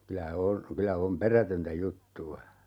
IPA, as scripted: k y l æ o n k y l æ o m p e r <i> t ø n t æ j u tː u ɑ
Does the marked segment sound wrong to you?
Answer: yes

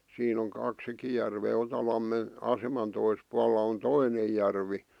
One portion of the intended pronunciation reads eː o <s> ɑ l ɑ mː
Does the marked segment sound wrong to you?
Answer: yes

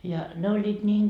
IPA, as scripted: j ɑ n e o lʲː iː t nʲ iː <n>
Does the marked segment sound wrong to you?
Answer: yes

